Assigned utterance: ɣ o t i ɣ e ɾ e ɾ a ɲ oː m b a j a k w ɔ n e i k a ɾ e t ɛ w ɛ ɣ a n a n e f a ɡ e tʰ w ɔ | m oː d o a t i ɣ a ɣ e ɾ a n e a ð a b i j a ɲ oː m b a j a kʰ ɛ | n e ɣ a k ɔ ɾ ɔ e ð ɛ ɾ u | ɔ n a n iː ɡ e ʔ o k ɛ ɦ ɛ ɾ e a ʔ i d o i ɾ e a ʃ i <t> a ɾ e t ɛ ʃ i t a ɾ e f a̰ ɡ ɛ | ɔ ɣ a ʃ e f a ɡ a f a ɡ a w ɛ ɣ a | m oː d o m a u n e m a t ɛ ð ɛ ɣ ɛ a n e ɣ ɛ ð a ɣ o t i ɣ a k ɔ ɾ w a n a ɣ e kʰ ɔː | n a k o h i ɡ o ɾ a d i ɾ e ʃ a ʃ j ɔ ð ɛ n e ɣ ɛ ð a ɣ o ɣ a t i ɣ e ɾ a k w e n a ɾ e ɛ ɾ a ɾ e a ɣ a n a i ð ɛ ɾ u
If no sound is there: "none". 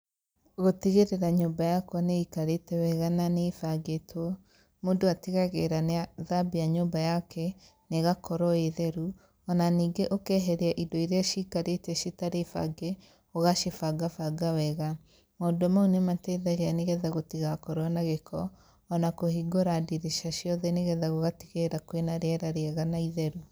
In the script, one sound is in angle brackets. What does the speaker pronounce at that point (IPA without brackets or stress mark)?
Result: k